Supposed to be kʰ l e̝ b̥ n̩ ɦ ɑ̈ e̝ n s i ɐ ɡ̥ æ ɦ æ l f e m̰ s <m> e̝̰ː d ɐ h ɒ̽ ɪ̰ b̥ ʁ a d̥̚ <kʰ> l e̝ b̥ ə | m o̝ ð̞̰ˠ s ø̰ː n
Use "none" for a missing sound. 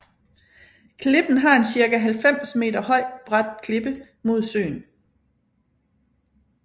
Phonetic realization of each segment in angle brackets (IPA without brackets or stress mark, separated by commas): m, kʰ